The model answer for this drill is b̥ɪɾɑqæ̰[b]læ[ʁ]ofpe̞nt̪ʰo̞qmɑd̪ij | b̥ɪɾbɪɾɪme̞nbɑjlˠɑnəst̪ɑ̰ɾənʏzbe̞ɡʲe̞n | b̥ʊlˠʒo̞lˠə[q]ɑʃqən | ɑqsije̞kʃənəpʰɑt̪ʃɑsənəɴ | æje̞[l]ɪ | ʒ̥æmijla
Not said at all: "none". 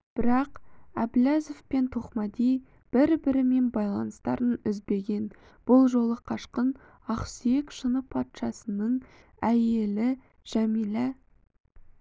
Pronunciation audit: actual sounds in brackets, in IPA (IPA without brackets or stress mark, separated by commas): b, z, qʰ, l